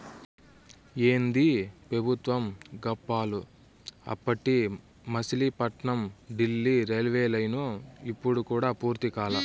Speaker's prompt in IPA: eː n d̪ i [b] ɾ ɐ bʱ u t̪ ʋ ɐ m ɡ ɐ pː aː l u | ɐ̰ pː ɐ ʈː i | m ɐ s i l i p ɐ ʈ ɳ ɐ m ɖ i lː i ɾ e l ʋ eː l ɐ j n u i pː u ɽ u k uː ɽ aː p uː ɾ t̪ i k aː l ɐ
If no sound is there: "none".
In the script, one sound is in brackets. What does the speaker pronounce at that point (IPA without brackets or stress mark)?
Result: p